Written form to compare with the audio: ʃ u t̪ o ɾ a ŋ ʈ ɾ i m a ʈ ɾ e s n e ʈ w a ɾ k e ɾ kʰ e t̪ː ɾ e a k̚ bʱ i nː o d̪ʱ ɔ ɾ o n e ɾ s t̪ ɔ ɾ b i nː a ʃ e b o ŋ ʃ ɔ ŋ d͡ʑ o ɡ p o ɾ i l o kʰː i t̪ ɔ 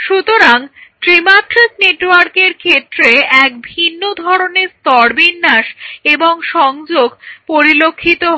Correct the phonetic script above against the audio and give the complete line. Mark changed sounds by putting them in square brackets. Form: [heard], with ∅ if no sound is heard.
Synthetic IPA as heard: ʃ u t̪ o ɾ a ŋ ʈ ɾ i m a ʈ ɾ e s n e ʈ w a ɾ k e ɾ kʰ e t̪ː ɾ e [ɛ] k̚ bʱ i nː o d̪ʱ ɔ ɾ o n e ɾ s t̪ ɔ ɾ b i nː a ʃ e b o ŋ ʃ ɔ ŋ d͡ʑ o ɡ p o ɾ i l o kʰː i t̪ [o]